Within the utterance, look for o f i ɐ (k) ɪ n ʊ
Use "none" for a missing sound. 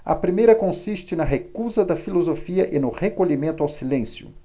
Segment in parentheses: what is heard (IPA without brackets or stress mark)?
ʔ